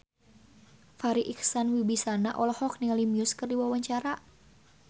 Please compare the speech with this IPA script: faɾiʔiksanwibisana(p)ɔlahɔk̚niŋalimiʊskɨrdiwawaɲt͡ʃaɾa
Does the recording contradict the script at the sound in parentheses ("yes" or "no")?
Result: yes